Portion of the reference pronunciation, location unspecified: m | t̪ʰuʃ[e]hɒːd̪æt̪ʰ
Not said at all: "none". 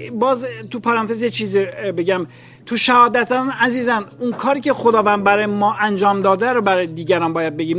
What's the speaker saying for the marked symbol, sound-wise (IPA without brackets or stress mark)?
æ